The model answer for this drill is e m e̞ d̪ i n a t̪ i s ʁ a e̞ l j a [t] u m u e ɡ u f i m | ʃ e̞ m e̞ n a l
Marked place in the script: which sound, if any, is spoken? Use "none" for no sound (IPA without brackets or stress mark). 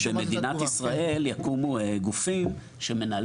k